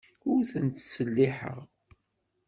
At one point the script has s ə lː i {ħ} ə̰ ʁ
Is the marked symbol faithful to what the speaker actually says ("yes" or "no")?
yes